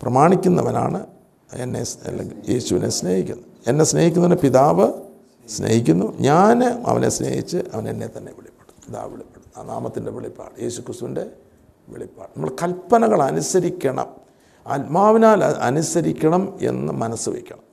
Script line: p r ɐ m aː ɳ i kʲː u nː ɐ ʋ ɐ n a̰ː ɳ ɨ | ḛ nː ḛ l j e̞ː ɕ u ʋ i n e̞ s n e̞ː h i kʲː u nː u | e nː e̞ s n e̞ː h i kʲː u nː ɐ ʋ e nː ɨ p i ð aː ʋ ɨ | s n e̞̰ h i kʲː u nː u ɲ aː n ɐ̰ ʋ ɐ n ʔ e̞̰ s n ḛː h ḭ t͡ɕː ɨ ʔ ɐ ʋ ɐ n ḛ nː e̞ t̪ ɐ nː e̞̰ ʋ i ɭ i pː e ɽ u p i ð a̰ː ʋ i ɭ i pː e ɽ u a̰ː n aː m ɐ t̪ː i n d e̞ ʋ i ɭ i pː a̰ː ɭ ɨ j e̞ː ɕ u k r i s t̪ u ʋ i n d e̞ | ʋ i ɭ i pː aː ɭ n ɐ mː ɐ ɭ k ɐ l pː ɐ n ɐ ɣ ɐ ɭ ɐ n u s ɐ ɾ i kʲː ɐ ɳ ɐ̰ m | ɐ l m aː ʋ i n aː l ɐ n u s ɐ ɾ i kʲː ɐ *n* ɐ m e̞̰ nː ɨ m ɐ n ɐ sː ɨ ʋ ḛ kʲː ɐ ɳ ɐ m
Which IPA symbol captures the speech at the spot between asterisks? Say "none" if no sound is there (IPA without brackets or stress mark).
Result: ɳ